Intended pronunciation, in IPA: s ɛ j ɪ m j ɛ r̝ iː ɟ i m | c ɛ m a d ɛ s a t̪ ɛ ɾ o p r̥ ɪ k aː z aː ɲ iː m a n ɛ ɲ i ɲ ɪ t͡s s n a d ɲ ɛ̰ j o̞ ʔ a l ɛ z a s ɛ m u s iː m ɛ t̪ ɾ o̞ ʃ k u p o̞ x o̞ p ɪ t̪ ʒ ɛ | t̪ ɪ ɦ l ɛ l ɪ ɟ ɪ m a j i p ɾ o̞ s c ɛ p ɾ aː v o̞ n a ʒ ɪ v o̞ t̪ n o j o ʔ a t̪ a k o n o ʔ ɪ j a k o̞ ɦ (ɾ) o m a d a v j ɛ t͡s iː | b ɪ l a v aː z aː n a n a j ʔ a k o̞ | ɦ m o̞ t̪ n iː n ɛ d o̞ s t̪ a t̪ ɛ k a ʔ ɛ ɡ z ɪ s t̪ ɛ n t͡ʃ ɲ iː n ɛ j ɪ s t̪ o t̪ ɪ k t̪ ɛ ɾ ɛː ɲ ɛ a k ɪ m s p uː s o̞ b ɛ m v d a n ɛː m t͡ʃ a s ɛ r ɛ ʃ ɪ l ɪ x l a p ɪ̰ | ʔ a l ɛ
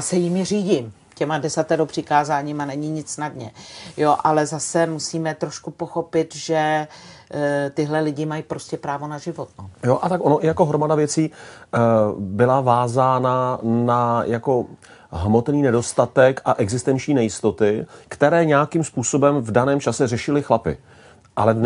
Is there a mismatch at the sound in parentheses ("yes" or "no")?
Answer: no